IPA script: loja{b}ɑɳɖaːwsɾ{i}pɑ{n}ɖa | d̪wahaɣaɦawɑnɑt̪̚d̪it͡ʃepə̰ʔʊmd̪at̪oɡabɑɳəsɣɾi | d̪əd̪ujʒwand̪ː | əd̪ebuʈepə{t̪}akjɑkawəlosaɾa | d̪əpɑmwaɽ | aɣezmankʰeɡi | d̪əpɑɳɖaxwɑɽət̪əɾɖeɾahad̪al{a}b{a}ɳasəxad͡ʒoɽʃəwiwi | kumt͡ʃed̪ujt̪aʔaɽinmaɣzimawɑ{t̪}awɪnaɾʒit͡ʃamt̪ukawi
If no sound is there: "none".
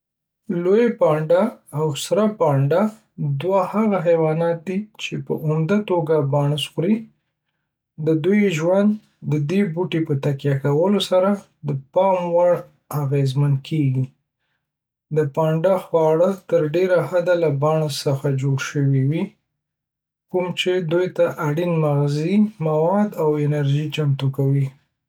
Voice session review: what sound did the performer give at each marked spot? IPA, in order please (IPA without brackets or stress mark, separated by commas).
p, a, ɳ, t̪, a, ɑ, d̪